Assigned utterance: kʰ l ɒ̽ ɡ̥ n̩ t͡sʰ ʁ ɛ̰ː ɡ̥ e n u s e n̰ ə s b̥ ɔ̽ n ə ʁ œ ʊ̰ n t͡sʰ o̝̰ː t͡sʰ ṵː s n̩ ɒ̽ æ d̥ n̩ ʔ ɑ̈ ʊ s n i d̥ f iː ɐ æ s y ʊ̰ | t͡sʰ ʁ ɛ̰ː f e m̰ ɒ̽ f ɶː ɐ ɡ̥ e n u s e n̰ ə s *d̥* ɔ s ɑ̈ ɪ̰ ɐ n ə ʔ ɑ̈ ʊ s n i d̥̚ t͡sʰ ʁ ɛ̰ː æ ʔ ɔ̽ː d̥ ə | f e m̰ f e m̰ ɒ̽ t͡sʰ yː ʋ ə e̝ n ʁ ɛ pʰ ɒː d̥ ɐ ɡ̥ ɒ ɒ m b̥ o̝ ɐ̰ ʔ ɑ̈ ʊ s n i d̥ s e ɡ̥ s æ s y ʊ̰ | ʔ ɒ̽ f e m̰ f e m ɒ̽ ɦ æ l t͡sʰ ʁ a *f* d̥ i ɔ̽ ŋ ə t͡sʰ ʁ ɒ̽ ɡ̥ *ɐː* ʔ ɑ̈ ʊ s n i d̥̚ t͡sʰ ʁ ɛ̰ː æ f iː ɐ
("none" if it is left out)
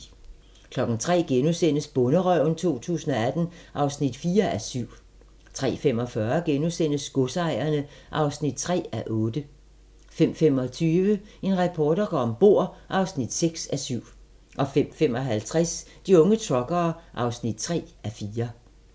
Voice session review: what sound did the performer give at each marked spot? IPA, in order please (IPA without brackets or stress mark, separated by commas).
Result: ɡ̥, s, ɐː